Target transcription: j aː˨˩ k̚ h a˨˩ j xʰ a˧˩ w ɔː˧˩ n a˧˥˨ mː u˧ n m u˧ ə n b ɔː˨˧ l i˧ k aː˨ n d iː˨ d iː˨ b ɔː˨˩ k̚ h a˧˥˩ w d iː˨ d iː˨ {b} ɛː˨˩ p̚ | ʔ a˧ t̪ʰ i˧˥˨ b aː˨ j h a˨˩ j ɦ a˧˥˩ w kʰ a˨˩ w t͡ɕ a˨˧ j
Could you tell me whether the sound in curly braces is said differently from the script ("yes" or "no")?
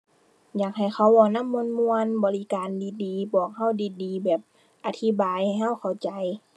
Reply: no